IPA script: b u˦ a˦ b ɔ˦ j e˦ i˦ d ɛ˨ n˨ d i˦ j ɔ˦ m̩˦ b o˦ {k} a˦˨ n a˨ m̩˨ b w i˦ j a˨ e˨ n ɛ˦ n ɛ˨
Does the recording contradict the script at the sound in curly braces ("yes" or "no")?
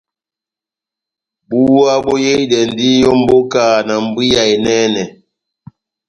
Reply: no